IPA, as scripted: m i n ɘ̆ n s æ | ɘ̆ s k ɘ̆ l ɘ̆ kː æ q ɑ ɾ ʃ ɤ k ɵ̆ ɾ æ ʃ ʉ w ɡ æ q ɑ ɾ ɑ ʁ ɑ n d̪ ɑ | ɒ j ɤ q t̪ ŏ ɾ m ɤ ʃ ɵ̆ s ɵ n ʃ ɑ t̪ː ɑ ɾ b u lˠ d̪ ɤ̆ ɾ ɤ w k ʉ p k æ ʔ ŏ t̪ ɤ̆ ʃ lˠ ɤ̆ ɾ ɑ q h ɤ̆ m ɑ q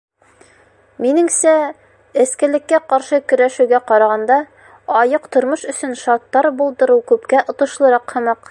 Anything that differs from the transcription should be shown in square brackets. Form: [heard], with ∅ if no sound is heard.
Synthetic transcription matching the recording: m i n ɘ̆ [ŋ] s æ | ɘ̆ s k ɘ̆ l ɘ̆ kː æ q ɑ ɾ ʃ ɤ k ɵ̆ ɾ æ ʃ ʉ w ɡ æ q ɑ ɾ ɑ ʁ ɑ n d̪ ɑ | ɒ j ɤ q t̪ ŏ ɾ m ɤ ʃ ɵ̆ s ɵ n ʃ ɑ t̪ː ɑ ɾ b u lˠ d̪ ɤ̆ ɾ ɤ w k ʉ p k æ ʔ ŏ t̪ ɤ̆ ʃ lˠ ɤ̆ ɾ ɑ q h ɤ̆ m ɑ q